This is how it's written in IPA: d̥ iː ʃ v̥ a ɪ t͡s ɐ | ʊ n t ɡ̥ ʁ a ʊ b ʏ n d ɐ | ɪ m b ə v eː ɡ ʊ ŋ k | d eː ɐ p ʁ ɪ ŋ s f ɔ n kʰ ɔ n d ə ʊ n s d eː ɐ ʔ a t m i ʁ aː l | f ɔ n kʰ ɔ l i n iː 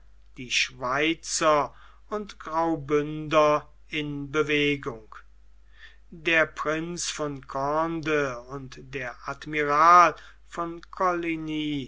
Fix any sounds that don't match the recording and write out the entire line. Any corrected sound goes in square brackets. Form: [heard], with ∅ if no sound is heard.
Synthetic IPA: d̥ iː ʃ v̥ a ɪ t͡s ɐ | ʊ n t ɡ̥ ʁ a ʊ b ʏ n d ɐ | ɪ [n] b ə v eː ɡ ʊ ŋ k | d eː ɐ p ʁ ɪ [n] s f ɔ n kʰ ɔ n d ə ʊ n [t] d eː ɐ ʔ a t m i ʁ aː l | f ɔ n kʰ ɔ l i n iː